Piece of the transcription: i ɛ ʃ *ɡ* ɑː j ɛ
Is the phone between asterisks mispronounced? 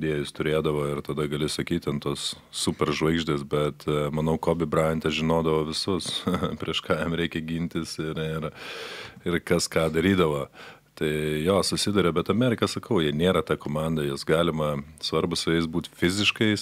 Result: yes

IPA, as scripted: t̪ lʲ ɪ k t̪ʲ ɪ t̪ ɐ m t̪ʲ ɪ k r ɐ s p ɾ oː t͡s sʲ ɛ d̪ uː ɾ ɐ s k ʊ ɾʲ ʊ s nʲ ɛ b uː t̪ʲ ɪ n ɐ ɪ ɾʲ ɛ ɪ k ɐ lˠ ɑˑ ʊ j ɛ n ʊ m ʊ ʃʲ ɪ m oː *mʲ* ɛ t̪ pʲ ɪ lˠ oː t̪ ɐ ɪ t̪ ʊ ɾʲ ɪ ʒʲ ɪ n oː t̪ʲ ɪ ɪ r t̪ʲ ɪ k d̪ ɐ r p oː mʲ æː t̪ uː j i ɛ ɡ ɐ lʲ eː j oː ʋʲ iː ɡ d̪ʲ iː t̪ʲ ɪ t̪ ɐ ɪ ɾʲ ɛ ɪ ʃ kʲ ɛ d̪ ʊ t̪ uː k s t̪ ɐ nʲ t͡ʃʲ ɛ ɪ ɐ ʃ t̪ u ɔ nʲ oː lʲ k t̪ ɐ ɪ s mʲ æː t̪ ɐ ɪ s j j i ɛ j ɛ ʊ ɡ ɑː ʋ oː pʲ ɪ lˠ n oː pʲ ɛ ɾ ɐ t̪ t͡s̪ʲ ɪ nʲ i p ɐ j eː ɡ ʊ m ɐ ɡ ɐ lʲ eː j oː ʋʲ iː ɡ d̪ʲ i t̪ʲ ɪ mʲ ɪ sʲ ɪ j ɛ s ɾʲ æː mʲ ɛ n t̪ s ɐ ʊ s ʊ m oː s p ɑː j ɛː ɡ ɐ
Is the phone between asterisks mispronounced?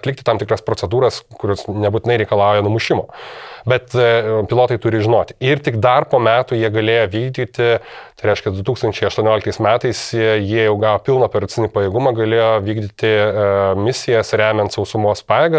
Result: yes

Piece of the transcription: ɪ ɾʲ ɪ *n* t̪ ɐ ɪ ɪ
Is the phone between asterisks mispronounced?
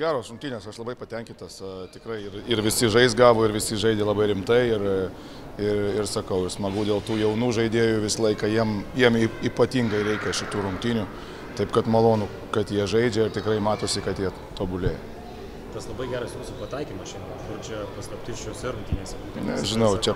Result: yes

